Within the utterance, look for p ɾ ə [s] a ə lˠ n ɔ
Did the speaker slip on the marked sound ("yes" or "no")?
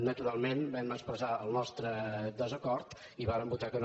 yes